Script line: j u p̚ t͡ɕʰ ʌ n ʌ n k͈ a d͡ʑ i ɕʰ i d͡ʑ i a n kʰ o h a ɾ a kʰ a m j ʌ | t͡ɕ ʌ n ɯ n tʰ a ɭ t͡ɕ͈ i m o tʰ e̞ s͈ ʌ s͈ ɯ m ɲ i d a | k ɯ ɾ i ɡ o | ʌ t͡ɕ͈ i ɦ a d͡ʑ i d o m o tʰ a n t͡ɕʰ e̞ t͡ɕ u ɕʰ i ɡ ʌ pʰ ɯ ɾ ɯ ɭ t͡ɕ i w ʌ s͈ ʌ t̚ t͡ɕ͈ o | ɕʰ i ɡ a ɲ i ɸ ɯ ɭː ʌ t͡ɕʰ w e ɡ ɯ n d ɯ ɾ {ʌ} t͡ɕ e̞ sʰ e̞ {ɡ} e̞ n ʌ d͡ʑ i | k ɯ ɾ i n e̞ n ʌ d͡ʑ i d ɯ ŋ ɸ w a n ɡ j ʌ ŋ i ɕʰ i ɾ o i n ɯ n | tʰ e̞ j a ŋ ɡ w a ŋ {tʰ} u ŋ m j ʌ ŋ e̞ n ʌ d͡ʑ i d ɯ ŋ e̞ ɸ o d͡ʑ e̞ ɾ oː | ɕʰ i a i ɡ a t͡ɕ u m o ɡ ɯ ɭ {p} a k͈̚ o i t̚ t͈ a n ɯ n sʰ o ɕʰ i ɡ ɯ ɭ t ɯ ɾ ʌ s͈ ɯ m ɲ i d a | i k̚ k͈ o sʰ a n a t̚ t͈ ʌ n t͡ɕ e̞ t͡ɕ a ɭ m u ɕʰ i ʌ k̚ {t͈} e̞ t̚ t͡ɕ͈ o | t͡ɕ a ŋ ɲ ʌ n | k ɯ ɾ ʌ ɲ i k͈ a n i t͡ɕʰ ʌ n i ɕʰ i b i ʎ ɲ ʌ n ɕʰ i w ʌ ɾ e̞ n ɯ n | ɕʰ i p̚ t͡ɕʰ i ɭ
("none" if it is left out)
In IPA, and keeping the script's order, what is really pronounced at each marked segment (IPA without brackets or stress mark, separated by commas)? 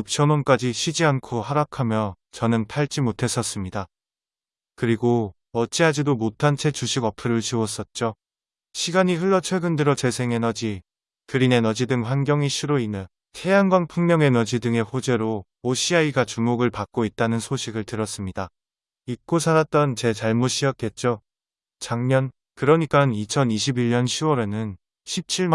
ʌ, ŋ, pʰ, p, k͈